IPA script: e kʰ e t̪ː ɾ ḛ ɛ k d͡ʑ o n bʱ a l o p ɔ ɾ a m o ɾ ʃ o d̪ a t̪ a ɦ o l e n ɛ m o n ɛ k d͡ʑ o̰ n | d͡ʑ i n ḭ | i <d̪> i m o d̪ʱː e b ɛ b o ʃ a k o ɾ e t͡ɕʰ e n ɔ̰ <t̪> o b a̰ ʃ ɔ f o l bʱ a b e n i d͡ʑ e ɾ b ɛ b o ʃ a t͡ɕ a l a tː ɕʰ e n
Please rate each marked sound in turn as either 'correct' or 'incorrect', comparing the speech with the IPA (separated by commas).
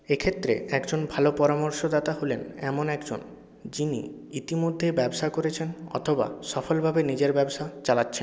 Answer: incorrect, incorrect